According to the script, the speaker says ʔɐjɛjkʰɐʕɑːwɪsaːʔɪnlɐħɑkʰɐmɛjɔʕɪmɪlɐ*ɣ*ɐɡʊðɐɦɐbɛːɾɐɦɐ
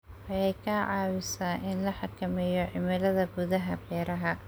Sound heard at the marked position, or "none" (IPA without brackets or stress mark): ð